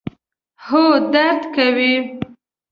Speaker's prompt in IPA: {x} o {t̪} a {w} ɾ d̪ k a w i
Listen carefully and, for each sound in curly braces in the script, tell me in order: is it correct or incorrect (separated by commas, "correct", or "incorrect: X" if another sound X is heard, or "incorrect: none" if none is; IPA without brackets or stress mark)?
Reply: incorrect: h, incorrect: d̪, incorrect: none